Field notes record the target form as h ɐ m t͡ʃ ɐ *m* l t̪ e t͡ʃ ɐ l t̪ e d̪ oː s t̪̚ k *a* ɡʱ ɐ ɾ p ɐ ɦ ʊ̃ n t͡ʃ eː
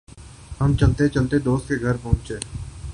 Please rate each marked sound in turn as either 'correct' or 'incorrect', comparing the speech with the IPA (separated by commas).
incorrect, incorrect